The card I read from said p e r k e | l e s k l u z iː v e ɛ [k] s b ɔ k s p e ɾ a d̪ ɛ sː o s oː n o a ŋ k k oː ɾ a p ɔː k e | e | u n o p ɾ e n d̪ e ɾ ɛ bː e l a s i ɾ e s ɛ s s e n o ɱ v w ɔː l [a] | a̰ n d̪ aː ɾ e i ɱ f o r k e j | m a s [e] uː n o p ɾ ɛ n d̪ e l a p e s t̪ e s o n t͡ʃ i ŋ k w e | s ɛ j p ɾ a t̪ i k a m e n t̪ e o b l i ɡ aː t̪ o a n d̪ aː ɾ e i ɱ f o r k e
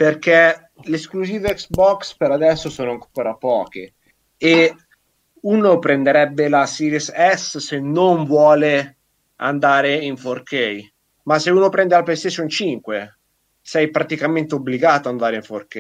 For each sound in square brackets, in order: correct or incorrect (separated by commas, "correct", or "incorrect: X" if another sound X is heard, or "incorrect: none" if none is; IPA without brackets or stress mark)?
correct, incorrect: e, correct